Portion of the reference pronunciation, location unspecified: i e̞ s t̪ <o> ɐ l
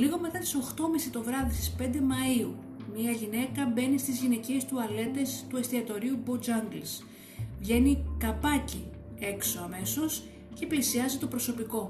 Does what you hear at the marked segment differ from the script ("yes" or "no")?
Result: yes